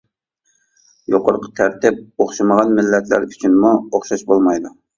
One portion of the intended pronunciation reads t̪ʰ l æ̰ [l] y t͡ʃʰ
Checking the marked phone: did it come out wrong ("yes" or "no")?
yes